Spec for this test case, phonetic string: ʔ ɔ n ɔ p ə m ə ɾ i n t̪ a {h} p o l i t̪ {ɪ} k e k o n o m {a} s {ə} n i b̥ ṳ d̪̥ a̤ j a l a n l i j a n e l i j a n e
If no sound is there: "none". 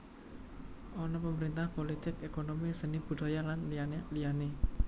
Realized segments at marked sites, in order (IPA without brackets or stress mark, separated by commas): h, ɪ, i, ə